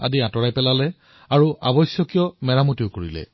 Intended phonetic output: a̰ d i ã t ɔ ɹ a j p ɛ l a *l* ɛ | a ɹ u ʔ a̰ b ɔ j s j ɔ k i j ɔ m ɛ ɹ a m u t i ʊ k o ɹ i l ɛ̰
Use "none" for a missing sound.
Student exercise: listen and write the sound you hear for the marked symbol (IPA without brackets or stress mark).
l